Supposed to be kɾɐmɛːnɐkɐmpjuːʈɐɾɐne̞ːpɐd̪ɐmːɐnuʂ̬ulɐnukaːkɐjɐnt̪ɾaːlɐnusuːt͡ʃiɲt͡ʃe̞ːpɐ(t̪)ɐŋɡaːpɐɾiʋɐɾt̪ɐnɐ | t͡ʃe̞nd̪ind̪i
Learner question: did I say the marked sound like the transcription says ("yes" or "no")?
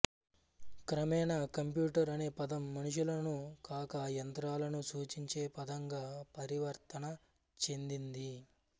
no